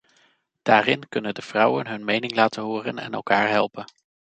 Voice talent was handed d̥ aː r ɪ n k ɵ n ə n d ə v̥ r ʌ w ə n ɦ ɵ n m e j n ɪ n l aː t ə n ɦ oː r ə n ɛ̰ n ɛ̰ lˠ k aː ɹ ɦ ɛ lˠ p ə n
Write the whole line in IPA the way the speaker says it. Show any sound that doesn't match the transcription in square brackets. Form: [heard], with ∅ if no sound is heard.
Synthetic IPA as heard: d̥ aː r ɪ n k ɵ n ə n d ə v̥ r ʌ w ə n ɦ ɵ n m e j n ɪ [ŋ] l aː t ə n ɦ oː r ə n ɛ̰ n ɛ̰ lˠ k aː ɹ ɦ ɛ lˠ p ə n